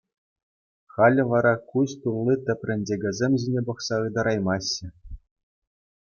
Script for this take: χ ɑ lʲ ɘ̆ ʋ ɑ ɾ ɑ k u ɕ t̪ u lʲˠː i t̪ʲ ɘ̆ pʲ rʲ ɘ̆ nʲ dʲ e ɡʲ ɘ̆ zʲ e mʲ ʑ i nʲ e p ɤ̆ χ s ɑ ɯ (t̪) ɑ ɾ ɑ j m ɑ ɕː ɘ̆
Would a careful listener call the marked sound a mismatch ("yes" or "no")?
yes